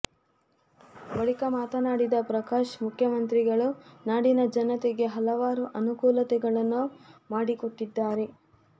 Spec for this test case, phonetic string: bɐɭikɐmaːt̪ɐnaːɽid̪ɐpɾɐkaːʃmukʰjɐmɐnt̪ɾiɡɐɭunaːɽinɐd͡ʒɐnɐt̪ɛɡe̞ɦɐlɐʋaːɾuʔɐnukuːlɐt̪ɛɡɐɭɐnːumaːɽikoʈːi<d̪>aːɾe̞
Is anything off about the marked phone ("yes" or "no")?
yes